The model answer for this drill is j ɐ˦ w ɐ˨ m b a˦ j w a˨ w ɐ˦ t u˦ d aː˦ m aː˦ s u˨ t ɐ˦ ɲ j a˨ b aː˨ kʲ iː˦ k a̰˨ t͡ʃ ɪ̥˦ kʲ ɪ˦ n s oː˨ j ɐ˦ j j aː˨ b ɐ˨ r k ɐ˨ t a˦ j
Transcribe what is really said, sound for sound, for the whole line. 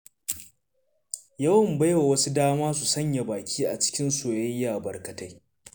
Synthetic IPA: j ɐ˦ w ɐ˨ m b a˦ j w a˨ w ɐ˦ s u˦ d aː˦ m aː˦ s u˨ s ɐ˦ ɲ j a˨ b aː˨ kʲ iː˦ ʔ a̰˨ t͡ʃ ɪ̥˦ kʲ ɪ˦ n s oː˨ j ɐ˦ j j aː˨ b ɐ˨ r k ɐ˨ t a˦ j

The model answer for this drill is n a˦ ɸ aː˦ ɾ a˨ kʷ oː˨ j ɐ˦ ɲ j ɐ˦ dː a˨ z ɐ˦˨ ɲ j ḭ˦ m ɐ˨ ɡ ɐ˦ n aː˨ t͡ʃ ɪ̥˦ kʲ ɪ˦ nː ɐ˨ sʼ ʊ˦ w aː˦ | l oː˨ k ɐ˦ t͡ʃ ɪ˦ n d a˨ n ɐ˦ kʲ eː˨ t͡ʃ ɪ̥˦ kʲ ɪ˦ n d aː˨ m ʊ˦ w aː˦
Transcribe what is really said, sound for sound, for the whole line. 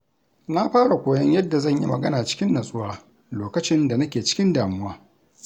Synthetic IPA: n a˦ ɸ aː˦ ɽ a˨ kʷ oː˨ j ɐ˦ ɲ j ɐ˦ dː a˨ z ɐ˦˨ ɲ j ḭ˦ m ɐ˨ ɡ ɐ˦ n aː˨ t͡ʃ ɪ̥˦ kʲ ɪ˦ nː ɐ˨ sʼ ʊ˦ w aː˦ | l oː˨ k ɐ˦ t͡ʃ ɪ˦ n d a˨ n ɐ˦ kʲ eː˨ t͡ʃ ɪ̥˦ kʲ ɪ˦ n d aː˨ m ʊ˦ w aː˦

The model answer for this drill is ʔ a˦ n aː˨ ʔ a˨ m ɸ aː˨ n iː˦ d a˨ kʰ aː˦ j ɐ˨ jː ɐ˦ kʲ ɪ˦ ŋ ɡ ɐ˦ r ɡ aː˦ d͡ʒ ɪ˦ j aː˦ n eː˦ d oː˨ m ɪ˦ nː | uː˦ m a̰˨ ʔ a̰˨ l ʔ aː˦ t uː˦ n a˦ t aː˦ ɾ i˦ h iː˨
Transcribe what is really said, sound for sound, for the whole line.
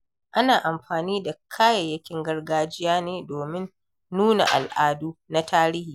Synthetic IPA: ʔ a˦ n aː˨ ʔ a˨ m ɸ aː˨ n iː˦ d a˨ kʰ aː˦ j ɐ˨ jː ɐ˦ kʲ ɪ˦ ŋ ɡ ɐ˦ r ɡ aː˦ d͡ʒ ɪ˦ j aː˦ n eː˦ d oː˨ m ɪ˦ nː | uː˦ n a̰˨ ʔ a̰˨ l ʔ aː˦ d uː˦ n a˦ t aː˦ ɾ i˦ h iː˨

